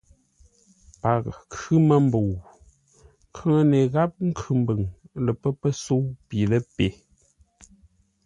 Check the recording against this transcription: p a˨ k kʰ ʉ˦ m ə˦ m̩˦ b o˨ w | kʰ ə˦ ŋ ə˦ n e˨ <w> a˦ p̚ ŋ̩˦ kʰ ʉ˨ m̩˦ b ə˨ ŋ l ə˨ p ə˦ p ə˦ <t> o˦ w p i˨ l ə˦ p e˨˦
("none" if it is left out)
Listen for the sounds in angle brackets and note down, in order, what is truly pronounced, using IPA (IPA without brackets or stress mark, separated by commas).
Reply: ɣ, s